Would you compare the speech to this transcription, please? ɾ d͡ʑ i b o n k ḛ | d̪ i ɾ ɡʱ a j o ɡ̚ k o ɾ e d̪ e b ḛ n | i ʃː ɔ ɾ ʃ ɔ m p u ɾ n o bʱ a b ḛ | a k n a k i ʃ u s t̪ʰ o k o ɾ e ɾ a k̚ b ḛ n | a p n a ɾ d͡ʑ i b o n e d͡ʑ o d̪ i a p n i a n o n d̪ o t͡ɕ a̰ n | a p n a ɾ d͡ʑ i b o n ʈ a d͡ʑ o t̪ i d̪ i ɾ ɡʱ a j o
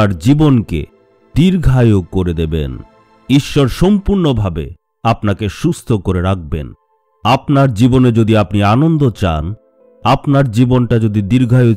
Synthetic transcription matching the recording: ɾ d͡ʑ i b o n k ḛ | d̪ i ɾ ɡʱ a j o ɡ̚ k o ɾ e d̪ e b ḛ n | i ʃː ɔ ɾ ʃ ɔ m p u ɾ n o bʱ a b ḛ | a p n a k e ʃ u s t̪ʰ o k o ɾ e ɾ a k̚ b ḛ n | a p n a ɾ d͡ʑ i b o n e d͡ʑ o d̪ i a p n i a n o n d̪ o t͡ɕ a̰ n | a p n a ɾ d͡ʑ i b o n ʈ a d͡ʑ o d̪ i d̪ i ɾ ɡʱ a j o